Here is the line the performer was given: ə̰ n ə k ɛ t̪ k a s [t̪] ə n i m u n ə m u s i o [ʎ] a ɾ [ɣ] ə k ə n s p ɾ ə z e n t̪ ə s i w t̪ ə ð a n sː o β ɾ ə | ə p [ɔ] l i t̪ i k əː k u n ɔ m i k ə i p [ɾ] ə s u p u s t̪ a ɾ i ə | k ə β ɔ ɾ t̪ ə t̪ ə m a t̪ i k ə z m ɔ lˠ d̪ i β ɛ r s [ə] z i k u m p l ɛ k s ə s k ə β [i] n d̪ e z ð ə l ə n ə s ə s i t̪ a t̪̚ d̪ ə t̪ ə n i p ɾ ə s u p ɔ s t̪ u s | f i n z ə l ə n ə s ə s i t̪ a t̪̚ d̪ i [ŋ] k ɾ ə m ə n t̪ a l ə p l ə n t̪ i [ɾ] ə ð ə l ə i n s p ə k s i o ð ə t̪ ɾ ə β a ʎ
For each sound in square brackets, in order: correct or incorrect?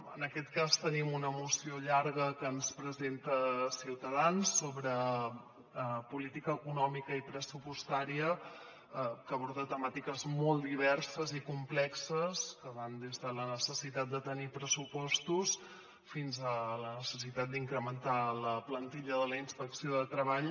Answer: correct, correct, correct, incorrect, correct, correct, incorrect, correct, incorrect

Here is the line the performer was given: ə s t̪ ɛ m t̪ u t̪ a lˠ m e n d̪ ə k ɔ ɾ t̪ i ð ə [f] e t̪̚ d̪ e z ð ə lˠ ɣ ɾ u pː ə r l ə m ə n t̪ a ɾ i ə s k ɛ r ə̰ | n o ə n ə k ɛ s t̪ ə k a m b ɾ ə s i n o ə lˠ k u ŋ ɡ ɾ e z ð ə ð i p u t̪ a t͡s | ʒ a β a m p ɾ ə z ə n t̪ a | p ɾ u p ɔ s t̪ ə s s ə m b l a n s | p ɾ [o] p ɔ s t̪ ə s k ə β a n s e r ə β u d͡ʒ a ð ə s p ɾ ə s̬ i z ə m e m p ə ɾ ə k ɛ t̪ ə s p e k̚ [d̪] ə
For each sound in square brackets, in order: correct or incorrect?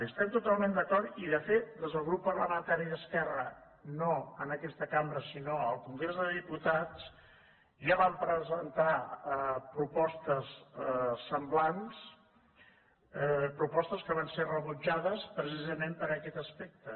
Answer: correct, incorrect, incorrect

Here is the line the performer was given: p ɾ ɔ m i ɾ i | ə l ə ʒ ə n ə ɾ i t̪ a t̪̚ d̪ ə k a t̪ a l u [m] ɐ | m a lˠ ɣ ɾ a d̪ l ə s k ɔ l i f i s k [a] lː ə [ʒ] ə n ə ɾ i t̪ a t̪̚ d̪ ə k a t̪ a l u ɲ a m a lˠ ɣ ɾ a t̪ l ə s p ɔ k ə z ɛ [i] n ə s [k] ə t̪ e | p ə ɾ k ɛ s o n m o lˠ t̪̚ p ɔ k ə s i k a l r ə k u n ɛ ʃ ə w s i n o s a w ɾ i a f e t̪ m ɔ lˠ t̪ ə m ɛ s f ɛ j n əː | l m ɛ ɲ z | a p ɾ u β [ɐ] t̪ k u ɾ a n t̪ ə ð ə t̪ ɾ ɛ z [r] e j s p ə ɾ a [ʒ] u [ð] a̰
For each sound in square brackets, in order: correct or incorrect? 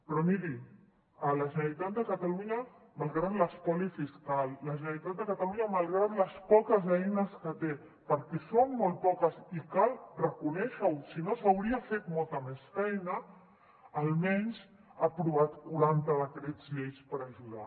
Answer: incorrect, correct, correct, incorrect, correct, incorrect, incorrect, correct, correct

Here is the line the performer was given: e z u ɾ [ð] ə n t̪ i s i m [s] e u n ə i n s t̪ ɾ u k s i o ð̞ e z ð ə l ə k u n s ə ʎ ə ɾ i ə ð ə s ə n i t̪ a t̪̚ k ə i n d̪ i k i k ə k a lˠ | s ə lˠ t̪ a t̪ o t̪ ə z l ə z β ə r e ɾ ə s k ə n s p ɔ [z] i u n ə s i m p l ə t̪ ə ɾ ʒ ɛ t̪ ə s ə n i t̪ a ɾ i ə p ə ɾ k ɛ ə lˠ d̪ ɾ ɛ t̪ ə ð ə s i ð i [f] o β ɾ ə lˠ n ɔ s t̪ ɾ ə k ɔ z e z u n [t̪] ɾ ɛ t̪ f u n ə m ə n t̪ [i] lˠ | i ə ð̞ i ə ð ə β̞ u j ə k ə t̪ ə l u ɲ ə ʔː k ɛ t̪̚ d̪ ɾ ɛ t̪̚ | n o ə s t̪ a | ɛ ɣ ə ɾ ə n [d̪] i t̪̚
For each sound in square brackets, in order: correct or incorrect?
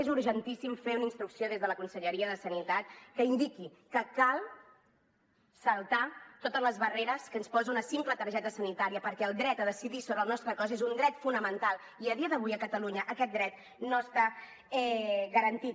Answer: incorrect, incorrect, correct, incorrect, incorrect, incorrect, incorrect

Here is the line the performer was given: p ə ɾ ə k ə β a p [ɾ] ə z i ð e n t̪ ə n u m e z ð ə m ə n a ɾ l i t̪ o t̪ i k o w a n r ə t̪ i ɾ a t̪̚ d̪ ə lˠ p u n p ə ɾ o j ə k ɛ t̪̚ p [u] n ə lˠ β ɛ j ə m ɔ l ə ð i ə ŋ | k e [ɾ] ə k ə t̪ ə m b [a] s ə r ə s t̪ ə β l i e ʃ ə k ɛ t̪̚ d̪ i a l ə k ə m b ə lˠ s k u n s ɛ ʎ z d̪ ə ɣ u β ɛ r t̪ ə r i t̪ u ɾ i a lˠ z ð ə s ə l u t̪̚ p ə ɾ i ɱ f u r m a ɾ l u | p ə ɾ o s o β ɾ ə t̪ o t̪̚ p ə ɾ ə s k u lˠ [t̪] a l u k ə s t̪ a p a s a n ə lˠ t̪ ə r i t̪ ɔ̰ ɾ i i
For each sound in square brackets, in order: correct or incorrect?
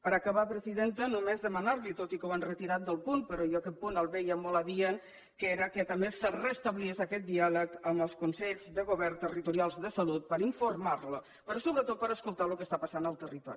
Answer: correct, correct, correct, incorrect, correct

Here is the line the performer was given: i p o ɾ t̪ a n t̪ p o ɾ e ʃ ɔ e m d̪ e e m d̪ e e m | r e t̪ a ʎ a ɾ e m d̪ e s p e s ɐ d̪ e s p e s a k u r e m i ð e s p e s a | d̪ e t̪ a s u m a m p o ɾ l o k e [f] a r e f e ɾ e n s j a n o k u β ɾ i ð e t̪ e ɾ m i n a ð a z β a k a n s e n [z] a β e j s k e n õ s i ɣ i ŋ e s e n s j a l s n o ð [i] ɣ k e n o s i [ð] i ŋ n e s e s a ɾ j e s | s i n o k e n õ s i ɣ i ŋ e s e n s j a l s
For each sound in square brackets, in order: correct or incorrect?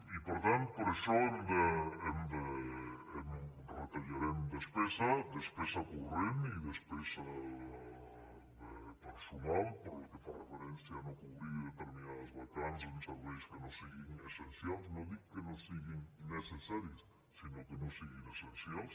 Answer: correct, incorrect, correct, incorrect

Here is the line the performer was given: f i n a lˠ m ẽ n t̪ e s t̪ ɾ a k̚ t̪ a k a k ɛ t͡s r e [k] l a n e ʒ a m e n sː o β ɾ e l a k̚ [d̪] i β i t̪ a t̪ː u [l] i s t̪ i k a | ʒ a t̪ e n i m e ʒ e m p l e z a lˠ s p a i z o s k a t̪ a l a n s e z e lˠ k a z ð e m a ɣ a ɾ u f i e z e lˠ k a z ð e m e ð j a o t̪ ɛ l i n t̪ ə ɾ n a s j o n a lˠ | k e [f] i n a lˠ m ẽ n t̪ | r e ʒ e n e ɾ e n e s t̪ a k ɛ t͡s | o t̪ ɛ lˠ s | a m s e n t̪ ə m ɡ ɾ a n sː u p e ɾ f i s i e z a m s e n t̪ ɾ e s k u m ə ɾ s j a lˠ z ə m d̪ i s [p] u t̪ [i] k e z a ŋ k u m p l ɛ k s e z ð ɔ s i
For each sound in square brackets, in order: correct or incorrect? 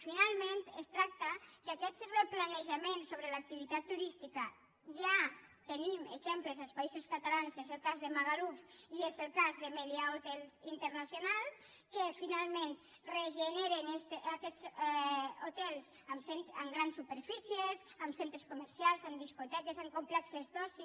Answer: incorrect, incorrect, incorrect, correct, incorrect, incorrect

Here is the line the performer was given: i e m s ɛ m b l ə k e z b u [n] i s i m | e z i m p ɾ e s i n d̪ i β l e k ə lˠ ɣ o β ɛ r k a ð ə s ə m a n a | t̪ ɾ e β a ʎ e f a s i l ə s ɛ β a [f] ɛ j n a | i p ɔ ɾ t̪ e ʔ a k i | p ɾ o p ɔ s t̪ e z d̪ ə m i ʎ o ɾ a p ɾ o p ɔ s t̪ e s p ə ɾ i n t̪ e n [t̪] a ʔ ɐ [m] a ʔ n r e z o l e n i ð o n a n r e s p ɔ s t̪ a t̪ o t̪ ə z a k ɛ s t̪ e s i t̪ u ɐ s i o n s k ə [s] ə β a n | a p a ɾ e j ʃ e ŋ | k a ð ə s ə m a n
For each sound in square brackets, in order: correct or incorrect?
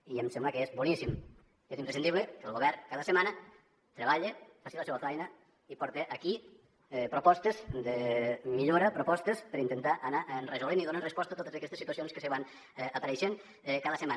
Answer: correct, correct, correct, incorrect, correct

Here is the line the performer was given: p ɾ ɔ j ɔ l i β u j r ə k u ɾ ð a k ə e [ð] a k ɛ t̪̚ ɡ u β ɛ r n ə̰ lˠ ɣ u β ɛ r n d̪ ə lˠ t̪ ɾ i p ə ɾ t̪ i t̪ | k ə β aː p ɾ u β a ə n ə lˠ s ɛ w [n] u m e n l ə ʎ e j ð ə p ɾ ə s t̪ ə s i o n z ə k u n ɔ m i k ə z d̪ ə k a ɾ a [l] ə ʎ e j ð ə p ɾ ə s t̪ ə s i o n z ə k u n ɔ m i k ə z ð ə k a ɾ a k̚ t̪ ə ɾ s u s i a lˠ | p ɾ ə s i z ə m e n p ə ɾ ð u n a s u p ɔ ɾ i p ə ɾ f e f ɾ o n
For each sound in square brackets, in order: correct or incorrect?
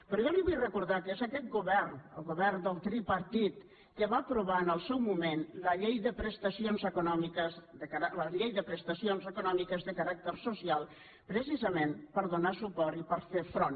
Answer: incorrect, incorrect, correct

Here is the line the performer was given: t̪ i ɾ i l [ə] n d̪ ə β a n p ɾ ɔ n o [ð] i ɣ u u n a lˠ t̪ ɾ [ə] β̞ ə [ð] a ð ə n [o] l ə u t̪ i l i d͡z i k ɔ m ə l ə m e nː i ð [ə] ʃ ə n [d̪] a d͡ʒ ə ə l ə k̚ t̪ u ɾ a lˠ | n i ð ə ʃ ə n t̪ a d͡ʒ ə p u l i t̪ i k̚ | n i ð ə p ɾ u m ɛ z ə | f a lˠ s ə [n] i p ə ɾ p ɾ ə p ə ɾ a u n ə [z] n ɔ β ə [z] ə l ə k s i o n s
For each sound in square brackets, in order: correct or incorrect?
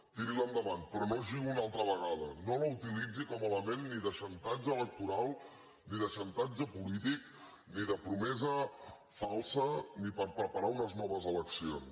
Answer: correct, incorrect, correct, incorrect, correct, correct, incorrect, correct, correct, correct

